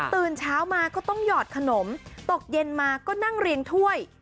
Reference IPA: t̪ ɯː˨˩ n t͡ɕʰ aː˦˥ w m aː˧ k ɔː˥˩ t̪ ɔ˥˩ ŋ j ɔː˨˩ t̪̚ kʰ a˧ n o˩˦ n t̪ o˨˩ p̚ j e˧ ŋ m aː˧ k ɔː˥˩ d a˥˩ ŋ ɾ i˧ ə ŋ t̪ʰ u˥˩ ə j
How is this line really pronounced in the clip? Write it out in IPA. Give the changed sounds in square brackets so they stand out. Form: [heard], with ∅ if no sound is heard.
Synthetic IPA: t̪ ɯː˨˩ n t͡ɕʰ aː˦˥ w m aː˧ k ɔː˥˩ t̪ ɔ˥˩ ŋ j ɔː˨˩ t̪̚ kʰ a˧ n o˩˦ [m] t̪ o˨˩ [k̚] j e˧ [n] m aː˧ k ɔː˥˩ [n] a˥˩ ŋ ɾ i˧ ə ŋ t̪ʰ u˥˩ ə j